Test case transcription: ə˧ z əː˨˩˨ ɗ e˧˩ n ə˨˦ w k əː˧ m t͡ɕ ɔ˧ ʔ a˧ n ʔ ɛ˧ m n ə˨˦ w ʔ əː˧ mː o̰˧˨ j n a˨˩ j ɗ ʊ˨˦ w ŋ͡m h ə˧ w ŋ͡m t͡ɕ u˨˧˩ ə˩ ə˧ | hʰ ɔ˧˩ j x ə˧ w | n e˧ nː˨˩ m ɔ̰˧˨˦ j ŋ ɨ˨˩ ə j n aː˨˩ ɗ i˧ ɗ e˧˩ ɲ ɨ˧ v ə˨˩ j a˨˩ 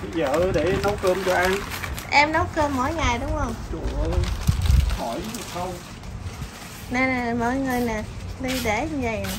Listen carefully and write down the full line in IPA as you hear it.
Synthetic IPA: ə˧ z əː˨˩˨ ɗ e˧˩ n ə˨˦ w k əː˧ m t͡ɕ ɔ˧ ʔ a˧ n ʔ ɛ˧ m n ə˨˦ w k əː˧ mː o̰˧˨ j ŋ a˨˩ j ɗ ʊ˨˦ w ŋ͡m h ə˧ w ŋ͡m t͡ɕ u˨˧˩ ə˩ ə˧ | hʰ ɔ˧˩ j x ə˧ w | n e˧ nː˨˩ m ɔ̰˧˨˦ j ŋ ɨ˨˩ ə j n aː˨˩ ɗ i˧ ɗ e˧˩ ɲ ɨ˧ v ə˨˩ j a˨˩